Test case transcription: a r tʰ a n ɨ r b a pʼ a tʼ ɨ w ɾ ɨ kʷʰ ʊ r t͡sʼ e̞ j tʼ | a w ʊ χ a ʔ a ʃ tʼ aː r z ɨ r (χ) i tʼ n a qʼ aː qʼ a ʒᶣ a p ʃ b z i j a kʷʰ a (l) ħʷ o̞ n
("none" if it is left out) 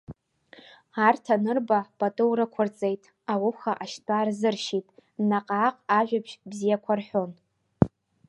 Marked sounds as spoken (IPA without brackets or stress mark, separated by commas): ʃ, r